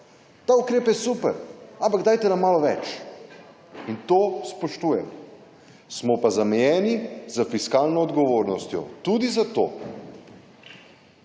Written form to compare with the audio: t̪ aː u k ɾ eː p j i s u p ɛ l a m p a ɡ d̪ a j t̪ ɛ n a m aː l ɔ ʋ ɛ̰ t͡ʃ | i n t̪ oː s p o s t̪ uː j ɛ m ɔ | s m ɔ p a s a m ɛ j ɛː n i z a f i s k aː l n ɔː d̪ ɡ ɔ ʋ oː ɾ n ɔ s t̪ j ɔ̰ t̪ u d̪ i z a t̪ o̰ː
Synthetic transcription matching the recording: t̪ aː u k ɾ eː p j ɛ s u p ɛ ɾ a m p a ɡ d̪ a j t̪ ɛ n a m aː l ɔ ʋ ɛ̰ t͡ʃ | i n t̪ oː s p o ʃ t̪ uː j ɛ m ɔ | s m ɔ p a z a m ɛ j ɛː n i z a f i s k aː l n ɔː d̪ ɡ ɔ ʋ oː ɾ n ɔ s t̪ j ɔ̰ t̪ u d̪ i z a t̪ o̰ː